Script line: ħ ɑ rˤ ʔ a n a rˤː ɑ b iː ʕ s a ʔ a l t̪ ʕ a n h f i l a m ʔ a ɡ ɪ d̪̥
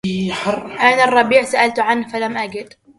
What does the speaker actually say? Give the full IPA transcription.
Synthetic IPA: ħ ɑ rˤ ʔ a n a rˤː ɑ b iː ʕ s a ʔ a l t̪ ʕ a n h f a l a m ʔ a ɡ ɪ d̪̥